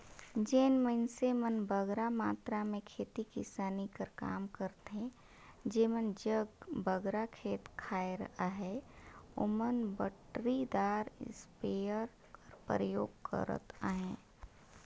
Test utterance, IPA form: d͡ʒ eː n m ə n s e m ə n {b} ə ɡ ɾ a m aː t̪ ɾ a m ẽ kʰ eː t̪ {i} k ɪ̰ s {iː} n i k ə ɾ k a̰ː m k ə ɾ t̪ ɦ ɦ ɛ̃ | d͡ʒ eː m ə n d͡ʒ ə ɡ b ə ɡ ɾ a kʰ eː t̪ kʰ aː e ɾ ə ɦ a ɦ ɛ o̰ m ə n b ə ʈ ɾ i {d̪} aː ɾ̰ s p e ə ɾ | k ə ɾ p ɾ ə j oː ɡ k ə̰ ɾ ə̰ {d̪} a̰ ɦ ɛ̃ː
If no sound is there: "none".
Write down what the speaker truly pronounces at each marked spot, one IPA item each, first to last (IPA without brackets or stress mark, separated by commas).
b, i, aː, d̪, t̪